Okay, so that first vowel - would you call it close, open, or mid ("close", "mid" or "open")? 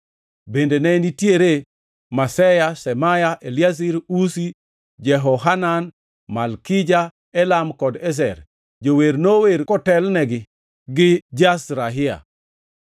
mid